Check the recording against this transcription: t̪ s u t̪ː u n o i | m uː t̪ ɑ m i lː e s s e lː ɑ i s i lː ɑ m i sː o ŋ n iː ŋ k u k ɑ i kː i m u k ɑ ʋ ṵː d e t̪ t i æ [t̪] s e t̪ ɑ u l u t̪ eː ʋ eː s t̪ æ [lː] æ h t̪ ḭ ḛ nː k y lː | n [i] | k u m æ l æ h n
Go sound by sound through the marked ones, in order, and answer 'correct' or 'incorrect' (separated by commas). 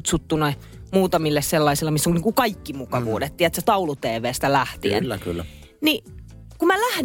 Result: correct, incorrect, correct